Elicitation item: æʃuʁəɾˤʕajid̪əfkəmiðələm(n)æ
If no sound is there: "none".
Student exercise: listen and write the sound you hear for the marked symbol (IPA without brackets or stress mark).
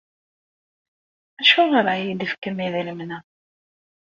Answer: n